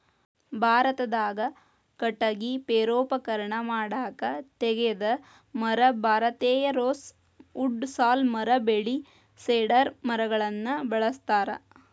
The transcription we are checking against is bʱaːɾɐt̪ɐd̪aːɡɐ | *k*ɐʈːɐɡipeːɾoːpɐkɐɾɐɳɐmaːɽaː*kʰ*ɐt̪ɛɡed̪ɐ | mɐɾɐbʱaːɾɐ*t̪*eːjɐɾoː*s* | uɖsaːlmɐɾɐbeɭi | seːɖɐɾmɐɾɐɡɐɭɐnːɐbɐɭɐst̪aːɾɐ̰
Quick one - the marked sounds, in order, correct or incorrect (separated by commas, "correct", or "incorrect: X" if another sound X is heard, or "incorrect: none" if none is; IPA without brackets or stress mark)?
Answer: correct, incorrect: k, correct, correct